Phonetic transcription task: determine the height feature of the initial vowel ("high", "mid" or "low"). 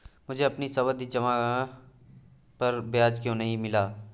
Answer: high